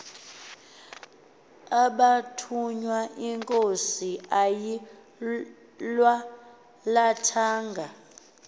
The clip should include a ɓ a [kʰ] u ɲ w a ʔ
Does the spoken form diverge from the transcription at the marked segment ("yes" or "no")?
yes